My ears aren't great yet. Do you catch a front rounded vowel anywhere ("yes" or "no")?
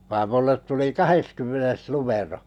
yes